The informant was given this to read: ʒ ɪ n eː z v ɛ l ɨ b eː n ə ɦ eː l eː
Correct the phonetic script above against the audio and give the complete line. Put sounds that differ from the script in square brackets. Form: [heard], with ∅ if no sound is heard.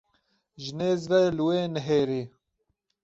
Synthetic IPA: ʒ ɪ n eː z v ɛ l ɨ [w] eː n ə ɦ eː [ɾ] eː